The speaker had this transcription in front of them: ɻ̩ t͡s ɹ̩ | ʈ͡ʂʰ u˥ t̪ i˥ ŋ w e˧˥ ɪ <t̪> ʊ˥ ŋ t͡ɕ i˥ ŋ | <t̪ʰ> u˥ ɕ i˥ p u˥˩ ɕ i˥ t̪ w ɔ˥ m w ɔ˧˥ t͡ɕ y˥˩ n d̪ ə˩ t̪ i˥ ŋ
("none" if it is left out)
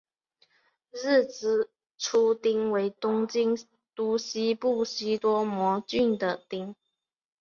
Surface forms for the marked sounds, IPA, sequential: t̪, t̪

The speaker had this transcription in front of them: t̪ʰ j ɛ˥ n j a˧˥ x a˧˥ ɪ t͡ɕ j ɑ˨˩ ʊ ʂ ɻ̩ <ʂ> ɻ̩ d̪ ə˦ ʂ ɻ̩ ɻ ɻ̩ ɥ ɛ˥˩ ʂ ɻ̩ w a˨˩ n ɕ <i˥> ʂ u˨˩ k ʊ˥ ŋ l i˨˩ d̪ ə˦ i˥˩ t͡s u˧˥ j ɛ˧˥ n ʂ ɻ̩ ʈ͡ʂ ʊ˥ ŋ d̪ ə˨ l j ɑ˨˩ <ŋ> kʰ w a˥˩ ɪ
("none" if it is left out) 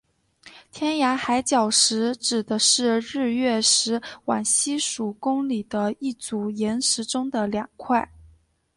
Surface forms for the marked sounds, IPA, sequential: ʈ͡ʂ, i˥, ŋ

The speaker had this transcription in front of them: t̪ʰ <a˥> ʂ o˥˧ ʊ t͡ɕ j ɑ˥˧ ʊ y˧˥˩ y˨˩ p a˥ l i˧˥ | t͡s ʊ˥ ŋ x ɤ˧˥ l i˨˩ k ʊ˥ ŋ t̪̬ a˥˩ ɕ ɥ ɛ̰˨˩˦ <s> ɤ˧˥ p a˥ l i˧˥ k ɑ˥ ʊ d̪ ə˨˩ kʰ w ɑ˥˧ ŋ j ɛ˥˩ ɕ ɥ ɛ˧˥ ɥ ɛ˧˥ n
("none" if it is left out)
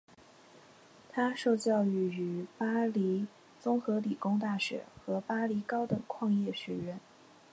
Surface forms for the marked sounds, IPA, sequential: a˥, x

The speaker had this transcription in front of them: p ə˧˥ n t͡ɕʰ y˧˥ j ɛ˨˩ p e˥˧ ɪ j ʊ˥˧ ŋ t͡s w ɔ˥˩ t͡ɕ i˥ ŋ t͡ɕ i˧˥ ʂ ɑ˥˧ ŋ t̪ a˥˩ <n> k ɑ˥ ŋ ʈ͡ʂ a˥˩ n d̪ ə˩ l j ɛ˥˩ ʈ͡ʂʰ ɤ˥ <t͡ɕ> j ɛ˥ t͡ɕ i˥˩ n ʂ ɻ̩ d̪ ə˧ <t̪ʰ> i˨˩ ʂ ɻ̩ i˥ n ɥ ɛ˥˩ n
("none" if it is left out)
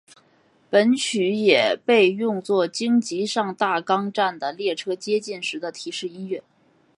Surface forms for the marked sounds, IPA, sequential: none, t͡ɕ, t̪ʰ

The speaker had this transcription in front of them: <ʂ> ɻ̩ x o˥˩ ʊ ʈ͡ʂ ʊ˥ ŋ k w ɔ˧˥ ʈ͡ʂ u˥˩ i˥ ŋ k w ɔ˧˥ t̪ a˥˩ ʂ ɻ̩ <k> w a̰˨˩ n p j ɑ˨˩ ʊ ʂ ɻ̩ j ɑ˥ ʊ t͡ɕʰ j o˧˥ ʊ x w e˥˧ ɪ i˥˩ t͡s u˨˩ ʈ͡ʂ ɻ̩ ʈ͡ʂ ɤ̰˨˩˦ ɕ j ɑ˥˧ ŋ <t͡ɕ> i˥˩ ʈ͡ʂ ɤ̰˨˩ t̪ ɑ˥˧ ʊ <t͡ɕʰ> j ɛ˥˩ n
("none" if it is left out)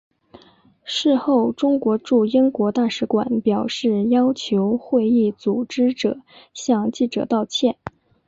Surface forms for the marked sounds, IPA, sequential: ʂ, k, t͡ɕ, t͡ɕʰ

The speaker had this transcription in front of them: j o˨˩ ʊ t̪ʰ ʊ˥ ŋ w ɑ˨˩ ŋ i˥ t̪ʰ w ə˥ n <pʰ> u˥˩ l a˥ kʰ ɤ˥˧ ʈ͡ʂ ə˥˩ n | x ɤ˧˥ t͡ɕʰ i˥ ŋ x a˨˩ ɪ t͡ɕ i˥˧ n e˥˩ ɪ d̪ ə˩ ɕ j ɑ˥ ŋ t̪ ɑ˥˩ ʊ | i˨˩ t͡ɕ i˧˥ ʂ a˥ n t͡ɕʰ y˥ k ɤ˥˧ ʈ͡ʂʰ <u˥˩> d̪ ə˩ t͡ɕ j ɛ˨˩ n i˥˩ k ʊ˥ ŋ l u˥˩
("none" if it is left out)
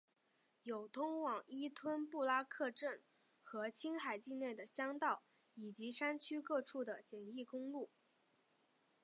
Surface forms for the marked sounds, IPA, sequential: p, u˥˩

